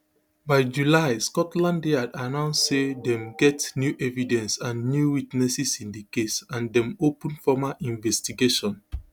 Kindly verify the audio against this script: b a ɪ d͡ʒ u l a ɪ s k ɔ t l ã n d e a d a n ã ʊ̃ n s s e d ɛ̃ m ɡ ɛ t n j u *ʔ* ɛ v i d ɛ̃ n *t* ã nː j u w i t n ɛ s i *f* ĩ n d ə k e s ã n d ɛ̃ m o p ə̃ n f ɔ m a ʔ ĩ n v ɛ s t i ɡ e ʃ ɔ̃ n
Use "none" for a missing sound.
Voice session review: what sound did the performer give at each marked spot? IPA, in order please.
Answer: ʔ, s, s

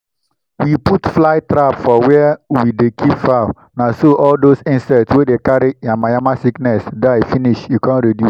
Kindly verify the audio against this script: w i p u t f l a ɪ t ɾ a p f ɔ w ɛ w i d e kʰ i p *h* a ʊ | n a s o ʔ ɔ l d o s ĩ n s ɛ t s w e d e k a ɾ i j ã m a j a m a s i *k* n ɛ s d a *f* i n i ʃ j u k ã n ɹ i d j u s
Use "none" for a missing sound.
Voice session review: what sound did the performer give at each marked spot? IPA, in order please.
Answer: f, k, f

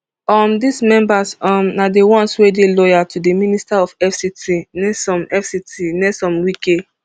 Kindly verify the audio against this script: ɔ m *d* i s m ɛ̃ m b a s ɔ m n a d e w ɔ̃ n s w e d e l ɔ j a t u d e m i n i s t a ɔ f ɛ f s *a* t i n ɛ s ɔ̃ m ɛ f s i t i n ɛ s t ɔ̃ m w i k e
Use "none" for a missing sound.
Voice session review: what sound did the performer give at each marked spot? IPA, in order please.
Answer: d, i

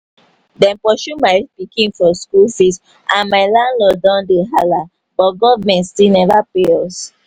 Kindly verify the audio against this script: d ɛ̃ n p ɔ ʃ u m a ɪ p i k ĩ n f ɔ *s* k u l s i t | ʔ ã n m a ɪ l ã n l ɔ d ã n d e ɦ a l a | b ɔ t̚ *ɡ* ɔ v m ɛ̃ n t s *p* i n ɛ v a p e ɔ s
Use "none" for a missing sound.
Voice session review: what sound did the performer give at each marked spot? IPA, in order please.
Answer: s, ɡ, t

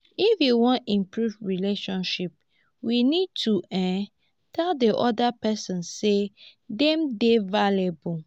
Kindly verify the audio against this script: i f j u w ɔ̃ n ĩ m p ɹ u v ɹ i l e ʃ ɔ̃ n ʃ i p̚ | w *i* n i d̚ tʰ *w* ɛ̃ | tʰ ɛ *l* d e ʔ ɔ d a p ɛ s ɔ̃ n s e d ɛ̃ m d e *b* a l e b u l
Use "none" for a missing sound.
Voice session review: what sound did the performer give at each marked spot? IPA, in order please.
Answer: i, u, l, v

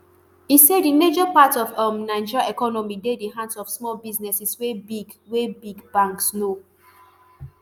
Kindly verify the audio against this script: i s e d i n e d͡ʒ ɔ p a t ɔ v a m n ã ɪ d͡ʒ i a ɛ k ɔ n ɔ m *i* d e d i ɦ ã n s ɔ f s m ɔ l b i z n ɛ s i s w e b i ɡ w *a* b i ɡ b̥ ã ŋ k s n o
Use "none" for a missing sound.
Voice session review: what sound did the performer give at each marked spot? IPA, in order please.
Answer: i, e

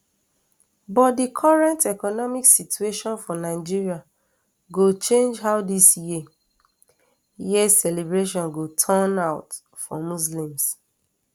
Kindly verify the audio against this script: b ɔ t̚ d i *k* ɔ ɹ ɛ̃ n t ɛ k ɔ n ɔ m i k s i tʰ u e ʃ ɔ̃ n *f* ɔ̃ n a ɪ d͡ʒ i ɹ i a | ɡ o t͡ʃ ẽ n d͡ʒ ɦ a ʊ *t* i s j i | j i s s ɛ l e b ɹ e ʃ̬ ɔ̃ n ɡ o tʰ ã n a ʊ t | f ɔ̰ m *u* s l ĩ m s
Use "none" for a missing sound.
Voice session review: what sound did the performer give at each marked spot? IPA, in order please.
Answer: kʰ, f, d, u

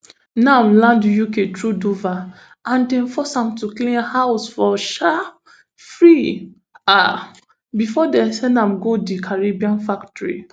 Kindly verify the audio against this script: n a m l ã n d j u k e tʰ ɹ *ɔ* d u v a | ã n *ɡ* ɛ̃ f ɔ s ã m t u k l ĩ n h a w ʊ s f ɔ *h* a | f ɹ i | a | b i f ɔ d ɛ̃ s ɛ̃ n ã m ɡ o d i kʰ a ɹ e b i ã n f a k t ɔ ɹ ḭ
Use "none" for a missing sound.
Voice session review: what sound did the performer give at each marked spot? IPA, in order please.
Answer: u, d, ʃ

